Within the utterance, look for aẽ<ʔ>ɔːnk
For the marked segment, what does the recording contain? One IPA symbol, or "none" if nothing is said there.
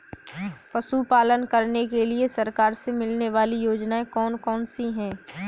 k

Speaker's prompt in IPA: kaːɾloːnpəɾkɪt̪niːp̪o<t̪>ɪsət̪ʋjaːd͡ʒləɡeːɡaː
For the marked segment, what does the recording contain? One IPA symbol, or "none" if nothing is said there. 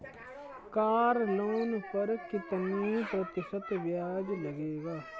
t̪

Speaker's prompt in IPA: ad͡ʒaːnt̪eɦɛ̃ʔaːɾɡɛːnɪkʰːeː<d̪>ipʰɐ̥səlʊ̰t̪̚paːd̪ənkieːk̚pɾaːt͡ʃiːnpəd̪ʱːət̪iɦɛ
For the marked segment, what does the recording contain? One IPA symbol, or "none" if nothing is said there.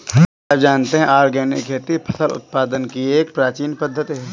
t̪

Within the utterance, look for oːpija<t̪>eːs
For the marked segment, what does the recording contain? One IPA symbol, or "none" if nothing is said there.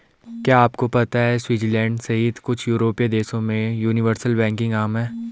d̪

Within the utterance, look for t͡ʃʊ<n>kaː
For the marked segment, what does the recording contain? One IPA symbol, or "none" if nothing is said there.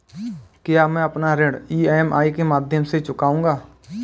none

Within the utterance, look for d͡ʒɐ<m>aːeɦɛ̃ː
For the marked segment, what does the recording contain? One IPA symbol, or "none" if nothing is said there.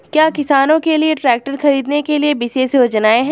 n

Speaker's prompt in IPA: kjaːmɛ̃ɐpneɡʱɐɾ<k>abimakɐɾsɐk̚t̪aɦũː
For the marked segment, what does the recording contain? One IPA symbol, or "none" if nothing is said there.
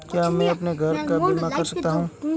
k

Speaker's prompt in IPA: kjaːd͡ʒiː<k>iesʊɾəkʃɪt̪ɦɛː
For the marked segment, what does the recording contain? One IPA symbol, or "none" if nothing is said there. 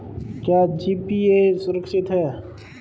p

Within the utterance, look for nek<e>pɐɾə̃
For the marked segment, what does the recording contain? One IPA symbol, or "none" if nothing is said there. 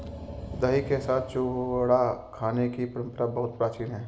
i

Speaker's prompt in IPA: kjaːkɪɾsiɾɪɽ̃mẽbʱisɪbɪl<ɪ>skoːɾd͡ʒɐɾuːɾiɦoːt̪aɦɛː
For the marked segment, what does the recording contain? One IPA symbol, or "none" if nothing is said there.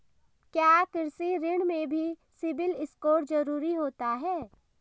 ɪ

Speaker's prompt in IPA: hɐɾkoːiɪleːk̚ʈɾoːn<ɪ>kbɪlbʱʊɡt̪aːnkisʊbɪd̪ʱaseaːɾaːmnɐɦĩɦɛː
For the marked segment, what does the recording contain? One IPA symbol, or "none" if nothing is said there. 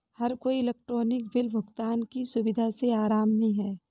ɪ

